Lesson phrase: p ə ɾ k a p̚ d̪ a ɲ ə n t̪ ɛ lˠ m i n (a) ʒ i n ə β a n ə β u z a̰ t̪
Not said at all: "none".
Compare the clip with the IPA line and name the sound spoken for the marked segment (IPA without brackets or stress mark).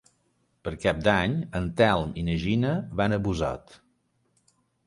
ə